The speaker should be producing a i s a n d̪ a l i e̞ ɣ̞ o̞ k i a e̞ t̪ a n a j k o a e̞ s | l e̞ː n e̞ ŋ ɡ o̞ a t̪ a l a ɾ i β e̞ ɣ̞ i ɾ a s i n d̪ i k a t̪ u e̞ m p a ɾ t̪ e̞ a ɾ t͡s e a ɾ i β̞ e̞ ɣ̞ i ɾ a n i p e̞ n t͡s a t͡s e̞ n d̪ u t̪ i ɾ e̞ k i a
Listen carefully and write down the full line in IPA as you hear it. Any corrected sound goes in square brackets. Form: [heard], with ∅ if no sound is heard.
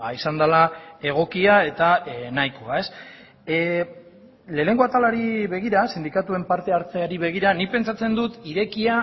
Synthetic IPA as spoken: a i s a n d̪ a l [a] e̞ ɣ̞ o̞ k i a e̞ t̪ a n a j k o a e̞ s | l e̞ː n e̞ ŋ ɡ o̞ a t̪ a l a ɾ i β e̞ ɣ̞ i ɾ a s i n d̪ i k a t̪ u e̞ m p a ɾ t̪ e̞ a ɾ t͡s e a ɾ i β̞ e̞ ɣ̞ i ɾ a n i p e̞ n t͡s a t͡s e̞ n d̪ u t̪ i ɾ e̞ k i a